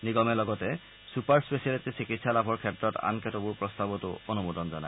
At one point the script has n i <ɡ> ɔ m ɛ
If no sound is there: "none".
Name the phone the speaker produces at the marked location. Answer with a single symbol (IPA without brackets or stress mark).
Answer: ɡ